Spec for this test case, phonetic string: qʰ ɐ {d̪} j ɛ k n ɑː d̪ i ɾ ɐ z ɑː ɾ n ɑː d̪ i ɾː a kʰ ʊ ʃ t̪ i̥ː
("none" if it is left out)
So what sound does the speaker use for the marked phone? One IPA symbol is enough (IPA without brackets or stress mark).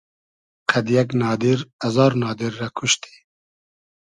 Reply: d̪